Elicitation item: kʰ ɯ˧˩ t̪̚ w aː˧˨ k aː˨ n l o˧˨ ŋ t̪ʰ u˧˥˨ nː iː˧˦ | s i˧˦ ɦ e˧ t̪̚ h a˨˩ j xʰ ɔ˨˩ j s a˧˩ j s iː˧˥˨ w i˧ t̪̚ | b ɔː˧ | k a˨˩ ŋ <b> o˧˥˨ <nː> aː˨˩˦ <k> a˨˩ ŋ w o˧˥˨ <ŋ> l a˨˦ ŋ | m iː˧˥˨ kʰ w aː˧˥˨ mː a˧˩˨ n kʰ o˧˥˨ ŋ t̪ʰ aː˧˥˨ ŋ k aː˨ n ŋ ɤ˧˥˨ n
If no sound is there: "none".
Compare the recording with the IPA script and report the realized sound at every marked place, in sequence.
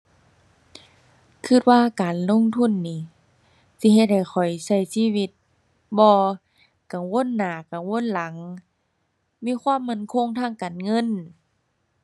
w, nː, k, n

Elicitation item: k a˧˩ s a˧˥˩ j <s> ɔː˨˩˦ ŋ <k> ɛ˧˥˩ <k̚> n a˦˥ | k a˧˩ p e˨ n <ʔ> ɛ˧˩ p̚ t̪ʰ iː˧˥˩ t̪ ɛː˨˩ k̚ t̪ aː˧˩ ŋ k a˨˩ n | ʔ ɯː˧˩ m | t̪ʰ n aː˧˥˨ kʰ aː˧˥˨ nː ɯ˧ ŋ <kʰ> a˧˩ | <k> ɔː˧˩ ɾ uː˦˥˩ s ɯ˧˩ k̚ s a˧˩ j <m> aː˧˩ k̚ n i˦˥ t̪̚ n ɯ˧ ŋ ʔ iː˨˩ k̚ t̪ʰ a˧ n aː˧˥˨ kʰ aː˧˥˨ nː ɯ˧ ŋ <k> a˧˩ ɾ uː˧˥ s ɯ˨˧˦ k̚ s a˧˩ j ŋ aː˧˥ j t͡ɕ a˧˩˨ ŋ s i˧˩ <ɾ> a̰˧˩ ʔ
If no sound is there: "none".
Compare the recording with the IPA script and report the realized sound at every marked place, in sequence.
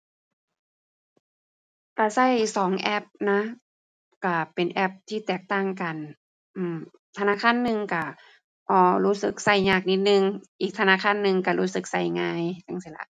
s, ʔ, p̚, ʔ, k, ʔ, ɲ, k, l

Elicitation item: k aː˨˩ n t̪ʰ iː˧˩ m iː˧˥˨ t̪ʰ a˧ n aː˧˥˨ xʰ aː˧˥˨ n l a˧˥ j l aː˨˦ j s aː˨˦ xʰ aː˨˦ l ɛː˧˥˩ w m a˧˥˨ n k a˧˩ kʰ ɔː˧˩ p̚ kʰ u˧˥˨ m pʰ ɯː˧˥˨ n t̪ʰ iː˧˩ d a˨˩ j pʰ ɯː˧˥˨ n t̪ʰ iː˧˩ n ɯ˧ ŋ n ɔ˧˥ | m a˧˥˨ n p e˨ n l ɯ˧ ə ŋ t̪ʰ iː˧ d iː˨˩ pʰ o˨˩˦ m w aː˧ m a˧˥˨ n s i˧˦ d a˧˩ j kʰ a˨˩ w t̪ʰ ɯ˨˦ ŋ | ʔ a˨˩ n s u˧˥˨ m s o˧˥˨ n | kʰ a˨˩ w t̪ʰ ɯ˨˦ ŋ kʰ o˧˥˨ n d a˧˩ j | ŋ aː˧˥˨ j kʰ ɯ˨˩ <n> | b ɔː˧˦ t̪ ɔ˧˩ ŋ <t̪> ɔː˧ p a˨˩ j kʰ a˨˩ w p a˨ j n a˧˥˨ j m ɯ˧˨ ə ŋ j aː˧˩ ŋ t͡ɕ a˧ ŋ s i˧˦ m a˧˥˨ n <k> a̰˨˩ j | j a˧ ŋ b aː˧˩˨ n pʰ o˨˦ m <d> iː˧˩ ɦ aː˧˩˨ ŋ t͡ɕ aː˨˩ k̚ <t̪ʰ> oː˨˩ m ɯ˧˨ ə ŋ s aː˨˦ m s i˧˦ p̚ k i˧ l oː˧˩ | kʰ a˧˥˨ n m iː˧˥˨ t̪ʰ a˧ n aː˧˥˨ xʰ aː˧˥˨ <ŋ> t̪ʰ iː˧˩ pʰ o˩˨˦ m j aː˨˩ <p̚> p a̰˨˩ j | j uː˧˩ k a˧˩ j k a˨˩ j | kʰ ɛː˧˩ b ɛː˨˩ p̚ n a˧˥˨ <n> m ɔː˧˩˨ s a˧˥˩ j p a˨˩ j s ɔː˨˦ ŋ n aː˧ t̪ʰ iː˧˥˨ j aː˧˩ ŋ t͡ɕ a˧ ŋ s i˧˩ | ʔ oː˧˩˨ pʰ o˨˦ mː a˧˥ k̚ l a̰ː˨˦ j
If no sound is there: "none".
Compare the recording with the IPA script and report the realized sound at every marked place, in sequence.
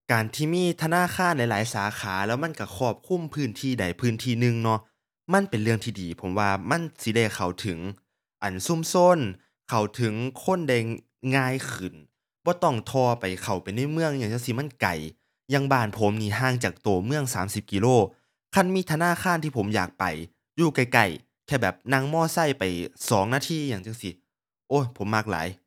n, t̪ʰ, k, n, t̪, n, k̚, ŋ

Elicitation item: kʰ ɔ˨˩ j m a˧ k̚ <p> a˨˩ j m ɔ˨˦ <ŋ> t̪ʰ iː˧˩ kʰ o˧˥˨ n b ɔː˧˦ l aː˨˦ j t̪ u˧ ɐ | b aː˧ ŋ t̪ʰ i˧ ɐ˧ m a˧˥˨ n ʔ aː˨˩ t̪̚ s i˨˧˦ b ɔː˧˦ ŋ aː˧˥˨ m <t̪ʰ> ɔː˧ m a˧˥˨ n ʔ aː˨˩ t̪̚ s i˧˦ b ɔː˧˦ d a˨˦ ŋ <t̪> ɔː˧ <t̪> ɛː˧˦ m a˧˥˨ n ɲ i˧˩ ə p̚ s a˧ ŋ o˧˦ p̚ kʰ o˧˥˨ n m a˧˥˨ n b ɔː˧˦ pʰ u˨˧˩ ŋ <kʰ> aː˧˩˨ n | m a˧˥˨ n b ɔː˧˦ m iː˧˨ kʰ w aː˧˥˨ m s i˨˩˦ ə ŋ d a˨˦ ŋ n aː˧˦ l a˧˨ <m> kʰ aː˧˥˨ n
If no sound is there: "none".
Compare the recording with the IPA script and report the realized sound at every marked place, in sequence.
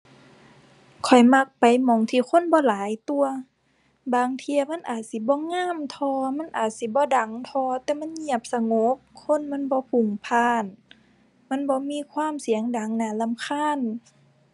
p, ŋ, t̪ʰ, t̪ʰ, t̪, pʰ, m

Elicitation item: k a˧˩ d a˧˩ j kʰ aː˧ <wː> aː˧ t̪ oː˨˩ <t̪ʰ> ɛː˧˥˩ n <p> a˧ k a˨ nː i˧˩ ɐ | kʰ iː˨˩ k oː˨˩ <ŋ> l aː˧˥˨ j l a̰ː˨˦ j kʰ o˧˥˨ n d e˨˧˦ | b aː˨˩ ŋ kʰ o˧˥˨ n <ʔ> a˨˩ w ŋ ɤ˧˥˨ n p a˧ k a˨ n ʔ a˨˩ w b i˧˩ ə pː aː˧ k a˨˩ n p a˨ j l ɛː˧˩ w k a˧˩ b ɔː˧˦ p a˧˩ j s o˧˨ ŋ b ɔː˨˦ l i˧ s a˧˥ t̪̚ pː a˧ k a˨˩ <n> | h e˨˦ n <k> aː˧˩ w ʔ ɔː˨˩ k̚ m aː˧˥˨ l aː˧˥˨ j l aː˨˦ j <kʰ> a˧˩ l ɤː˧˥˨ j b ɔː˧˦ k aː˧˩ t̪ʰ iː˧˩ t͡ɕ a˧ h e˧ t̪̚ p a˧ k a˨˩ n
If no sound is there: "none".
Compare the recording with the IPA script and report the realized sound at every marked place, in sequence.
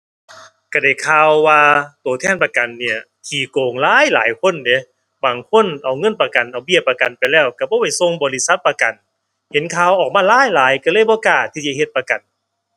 wː, t̪ʰ, p, ŋ, ʔ, n, kʰ, k

